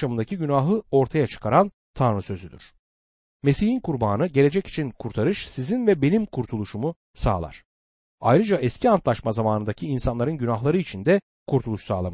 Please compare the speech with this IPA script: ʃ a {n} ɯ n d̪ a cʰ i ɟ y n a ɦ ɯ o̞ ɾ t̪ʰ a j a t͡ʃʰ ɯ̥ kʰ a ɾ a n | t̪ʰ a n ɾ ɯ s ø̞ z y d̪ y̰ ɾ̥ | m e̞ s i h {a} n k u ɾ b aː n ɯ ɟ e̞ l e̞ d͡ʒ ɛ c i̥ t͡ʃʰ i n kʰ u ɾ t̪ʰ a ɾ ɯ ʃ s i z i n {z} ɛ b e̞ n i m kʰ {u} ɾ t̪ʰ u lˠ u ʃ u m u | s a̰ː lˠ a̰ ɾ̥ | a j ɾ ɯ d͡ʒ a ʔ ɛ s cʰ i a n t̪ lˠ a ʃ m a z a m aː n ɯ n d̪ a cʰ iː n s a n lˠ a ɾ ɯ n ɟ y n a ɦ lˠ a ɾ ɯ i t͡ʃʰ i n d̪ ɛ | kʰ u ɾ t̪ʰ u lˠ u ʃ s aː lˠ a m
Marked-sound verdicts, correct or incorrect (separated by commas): incorrect, incorrect, incorrect, correct